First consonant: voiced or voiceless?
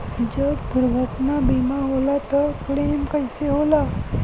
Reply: voiced